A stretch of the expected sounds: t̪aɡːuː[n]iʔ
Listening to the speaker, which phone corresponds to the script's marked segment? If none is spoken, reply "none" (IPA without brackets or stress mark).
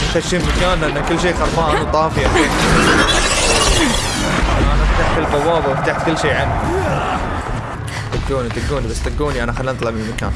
n